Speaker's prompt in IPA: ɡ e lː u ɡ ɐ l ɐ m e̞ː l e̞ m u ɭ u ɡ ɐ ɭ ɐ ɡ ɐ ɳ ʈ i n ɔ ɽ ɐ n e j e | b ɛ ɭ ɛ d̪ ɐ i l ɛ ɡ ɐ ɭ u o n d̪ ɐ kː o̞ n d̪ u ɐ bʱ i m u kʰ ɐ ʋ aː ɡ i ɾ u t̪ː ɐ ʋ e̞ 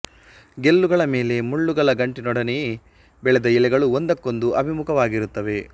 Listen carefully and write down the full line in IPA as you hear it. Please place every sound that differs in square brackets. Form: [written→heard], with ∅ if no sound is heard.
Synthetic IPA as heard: ɡ e lː u ɡ ɐ [l→ɭ] ɐ m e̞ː l e̞ m u [ɭ→ɭː] u ɡ ɐ ɭ ɐ ɡ ɐ ɳ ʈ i n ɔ ɽ ɐ n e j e | b ɛ ɭ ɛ d̪ ɐ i l ɛ ɡ ɐ ɭ u o n d̪ ɐ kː o̞ n d̪ u ɐ bʱ i m u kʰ ɐ ʋ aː ɡ i ɾ u t̪ː ɐ ʋ e̞